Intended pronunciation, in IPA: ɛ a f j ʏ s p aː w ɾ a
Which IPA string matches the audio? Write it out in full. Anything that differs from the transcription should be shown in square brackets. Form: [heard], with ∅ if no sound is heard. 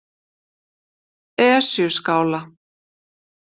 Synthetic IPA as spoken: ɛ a [s] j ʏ s [k] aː w [l] a